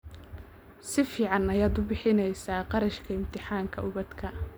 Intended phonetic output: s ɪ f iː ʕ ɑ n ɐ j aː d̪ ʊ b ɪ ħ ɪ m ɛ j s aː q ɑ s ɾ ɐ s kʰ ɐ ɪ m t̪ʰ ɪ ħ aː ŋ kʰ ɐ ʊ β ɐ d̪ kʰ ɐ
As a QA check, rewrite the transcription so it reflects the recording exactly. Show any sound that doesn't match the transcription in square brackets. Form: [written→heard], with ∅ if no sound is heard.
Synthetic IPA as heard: s ɪ f iː ʕ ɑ n ɐ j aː d̪ ʊ b ɪ ħ ɪ [m→n] ɛ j s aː q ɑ [s→∅] ɾ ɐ [s→ʃ] kʰ ɐ ɪ m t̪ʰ ɪ ħ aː ŋ kʰ ɐ ʊ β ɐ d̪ kʰ ɐ